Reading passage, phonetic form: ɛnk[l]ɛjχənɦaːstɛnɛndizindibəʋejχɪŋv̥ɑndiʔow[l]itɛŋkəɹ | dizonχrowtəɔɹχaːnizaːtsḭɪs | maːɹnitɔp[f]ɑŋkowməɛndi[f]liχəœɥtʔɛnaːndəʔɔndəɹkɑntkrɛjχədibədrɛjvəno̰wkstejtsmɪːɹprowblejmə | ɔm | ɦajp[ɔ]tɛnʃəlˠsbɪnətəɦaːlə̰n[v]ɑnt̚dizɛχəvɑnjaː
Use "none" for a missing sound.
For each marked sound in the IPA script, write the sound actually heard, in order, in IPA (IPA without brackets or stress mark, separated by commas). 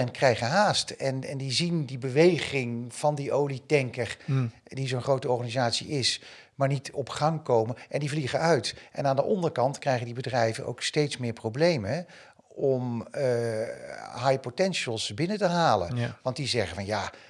r, l, χ, v, o, ʋ